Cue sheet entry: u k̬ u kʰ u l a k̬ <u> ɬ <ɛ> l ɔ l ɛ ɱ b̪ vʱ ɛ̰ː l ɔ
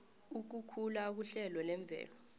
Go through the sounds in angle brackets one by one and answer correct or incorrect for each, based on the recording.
correct, correct

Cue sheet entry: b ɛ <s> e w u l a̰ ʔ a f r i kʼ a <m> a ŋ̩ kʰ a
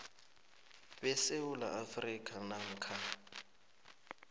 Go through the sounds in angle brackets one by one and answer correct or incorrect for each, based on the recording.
correct, incorrect: n

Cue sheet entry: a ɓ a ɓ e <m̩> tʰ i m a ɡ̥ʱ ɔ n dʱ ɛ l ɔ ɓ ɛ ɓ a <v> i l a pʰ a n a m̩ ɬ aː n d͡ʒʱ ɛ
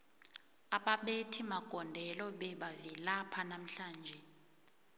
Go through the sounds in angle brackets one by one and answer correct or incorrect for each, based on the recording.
incorrect: none, correct

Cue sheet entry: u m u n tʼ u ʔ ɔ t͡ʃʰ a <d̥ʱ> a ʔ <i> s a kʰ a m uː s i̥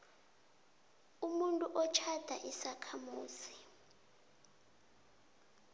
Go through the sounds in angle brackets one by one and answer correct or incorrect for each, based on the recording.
correct, correct

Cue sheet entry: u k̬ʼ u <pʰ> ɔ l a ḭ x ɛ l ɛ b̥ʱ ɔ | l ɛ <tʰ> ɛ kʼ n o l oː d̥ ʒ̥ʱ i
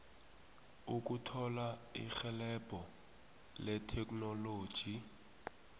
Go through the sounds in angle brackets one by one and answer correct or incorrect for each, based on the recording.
incorrect: tʰ, correct

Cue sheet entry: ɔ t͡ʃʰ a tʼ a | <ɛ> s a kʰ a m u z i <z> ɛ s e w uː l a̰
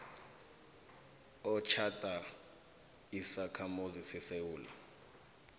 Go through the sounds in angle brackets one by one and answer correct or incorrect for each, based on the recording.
incorrect: i, incorrect: s

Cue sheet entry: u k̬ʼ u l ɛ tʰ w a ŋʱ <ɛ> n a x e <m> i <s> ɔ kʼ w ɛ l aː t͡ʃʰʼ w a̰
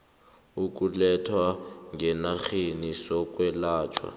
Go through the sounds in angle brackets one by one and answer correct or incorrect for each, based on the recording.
correct, incorrect: n, correct

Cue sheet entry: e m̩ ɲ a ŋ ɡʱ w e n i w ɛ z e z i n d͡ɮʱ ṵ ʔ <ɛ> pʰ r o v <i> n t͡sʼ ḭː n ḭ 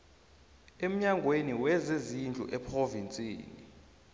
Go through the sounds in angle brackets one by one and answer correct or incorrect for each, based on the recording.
correct, correct

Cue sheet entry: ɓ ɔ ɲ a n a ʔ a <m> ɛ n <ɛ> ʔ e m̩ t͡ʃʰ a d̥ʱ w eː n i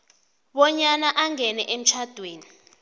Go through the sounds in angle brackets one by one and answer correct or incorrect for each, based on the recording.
incorrect: ŋ, correct

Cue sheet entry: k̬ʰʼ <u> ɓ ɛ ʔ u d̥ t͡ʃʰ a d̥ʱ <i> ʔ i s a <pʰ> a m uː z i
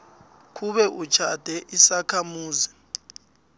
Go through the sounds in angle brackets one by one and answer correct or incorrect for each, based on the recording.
correct, incorrect: ɛ, incorrect: kʰ

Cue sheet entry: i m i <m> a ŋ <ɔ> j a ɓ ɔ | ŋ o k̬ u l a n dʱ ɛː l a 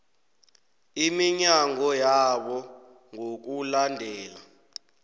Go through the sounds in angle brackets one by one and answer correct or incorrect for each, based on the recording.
incorrect: ɲ, correct

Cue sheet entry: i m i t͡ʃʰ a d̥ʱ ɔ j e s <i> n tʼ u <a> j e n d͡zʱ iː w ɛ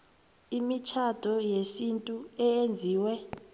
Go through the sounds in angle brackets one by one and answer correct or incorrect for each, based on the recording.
correct, incorrect: ɛ

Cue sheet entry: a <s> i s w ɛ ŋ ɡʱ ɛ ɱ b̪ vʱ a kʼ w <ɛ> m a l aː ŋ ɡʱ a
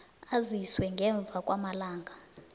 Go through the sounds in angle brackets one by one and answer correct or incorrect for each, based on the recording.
incorrect: z, incorrect: a

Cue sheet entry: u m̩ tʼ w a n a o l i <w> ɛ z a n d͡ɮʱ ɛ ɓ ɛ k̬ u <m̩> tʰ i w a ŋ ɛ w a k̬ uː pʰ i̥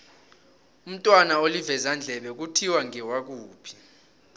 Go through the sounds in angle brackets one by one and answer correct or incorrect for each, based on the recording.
incorrect: v, incorrect: none

